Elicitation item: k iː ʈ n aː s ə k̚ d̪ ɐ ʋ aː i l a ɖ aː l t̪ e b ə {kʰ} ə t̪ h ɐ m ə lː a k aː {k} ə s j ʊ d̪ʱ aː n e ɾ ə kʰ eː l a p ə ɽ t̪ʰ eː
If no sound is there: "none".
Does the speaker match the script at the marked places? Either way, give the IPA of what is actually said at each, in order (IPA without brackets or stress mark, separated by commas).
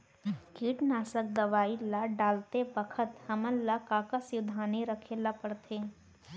kʰ, k